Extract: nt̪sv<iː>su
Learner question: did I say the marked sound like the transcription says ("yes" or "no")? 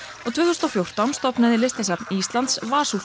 no